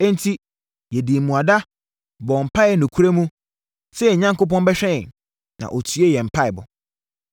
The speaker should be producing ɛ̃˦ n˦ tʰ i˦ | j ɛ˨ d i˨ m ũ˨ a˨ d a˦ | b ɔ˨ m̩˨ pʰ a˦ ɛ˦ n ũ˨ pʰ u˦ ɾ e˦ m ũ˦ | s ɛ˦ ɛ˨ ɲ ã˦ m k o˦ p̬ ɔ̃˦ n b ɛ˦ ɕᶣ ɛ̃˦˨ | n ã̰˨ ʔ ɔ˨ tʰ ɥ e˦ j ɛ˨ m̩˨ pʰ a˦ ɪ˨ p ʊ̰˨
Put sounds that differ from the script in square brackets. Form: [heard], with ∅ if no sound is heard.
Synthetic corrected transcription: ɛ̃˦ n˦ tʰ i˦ | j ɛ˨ d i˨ m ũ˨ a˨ d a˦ | b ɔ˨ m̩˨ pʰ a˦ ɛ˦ n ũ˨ [kʰ] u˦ ɾ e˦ m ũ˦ | s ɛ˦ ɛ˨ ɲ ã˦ [ŋ] k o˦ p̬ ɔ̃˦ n b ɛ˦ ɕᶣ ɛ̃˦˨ | n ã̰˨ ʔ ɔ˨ tʰ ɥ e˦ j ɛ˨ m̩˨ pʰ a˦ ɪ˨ [b] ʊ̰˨

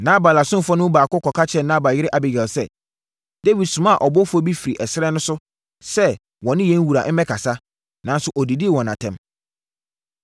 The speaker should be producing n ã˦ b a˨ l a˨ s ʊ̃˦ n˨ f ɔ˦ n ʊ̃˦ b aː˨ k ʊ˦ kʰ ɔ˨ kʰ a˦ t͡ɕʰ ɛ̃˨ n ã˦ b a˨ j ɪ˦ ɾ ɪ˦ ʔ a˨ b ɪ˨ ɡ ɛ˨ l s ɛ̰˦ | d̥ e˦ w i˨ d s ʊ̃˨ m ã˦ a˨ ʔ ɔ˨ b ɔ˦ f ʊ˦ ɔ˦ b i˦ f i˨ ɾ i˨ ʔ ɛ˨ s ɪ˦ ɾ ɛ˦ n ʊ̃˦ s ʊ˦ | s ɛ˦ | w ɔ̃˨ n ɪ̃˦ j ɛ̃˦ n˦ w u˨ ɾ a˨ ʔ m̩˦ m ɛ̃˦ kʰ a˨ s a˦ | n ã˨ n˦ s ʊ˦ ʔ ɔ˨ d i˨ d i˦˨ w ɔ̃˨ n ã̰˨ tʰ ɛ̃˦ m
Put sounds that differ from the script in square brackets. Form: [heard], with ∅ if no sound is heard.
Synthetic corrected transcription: n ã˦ b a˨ l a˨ s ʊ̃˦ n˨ f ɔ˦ n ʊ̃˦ b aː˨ k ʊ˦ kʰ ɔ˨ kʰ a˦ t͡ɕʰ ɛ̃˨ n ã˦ b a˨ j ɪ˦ ɾ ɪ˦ ʔ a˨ b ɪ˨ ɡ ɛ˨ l s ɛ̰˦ | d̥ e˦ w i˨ d s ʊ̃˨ m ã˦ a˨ ʔ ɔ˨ b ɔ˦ f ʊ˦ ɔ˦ b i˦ f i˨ ɾ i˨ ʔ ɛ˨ s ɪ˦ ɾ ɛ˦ n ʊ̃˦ s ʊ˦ | s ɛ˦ | w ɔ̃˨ n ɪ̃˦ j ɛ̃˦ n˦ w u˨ ɾ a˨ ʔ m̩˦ m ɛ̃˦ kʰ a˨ s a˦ | n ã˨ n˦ s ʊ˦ ʔ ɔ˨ d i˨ d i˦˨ w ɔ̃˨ n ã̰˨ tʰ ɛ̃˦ m

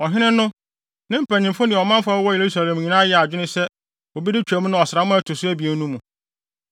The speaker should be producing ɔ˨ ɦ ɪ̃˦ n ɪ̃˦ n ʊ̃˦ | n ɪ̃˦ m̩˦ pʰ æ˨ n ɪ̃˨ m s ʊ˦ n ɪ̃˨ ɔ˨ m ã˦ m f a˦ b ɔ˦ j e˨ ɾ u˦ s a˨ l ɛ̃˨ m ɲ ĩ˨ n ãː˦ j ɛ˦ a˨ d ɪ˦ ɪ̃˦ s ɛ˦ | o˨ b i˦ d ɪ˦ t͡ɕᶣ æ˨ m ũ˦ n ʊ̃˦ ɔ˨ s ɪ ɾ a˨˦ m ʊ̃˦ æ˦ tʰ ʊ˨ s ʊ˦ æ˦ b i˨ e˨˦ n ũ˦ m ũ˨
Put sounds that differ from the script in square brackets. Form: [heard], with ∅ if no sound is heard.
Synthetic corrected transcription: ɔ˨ ɦ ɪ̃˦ n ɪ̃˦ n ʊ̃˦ | n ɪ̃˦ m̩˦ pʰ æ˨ [ɲ] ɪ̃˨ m [f] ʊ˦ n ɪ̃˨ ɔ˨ m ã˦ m f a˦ [w] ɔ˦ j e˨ ɾ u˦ s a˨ l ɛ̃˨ m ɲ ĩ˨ n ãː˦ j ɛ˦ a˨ [d͡ʑᶣ] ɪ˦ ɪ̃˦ s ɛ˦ | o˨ b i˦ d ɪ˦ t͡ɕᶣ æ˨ m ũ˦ n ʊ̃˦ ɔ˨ s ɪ ɾ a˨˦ m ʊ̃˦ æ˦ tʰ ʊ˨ s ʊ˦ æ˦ b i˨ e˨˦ n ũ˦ m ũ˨

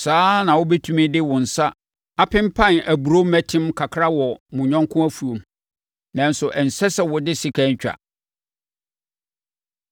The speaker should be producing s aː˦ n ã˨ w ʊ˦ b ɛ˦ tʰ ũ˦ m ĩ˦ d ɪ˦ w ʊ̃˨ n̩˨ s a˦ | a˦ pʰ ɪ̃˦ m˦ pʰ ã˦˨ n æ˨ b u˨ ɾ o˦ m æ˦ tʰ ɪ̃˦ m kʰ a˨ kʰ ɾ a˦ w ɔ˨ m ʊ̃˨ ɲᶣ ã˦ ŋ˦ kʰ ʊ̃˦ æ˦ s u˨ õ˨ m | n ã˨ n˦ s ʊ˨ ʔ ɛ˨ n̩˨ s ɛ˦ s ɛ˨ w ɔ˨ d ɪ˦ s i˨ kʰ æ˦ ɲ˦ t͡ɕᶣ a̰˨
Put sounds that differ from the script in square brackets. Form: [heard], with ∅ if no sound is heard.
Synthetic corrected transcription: s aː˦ n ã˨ w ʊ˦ b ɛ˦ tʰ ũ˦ m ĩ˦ d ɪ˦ w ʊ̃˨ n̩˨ s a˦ | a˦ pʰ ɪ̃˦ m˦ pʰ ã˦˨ n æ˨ b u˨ ɾ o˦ m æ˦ tʰ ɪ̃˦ m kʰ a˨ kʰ ɾ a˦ w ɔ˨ m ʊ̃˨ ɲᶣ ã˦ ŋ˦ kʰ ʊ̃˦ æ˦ [f] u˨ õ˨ m | n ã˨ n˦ s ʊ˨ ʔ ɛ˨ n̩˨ s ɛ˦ s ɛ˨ w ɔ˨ d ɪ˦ s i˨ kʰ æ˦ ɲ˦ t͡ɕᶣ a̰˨

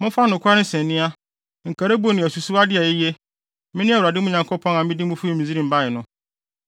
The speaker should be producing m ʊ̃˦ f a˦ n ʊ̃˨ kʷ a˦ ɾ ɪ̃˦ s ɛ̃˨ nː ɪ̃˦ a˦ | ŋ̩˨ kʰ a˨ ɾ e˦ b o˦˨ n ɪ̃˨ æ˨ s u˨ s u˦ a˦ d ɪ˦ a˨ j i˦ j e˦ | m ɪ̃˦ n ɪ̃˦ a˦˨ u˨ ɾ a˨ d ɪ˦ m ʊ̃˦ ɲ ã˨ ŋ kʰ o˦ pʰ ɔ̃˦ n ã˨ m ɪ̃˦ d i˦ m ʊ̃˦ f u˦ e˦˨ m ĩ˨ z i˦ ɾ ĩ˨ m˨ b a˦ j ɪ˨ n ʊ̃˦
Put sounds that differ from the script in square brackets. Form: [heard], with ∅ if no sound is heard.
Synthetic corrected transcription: m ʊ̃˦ f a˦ n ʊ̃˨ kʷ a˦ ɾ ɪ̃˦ s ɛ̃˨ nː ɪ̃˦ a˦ | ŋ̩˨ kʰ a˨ ɾ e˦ b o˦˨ n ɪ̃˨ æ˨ s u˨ s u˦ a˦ d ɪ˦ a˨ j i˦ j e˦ | m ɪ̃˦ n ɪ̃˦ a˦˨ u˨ ɾ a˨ d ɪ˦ m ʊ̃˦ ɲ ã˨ ŋ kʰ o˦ pʰ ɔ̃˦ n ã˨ m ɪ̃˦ d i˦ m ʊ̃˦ f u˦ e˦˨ m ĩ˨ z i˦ ɾ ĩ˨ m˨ b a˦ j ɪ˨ n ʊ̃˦

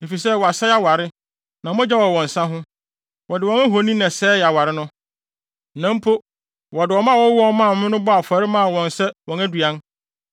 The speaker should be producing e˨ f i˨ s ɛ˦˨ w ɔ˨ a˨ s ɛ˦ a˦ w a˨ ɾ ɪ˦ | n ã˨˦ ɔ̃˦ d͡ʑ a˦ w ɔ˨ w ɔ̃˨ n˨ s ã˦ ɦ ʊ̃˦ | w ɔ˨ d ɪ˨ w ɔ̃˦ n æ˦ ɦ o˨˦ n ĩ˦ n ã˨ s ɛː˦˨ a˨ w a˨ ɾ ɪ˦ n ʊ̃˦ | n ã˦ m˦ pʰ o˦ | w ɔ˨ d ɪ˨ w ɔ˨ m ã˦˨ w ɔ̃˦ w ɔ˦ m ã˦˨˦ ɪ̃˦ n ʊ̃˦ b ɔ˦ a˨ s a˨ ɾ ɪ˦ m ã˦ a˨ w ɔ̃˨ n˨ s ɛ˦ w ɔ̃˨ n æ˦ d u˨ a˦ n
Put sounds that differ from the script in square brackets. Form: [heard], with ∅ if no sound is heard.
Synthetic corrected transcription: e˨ f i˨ s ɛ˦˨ w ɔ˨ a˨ s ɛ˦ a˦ w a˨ ɾ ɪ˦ | n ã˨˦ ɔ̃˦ d͡ʑ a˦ w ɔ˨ w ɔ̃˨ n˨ s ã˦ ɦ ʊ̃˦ | w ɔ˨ d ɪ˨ w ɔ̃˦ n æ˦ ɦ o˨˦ n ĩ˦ n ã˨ s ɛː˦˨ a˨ w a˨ ɾ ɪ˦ n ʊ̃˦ | n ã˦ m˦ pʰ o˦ | w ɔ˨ d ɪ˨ w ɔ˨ m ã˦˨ w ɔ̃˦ w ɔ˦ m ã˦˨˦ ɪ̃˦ n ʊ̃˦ b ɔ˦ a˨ [f] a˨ ɾ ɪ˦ m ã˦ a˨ w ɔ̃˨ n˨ s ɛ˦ w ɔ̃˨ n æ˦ d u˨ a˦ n

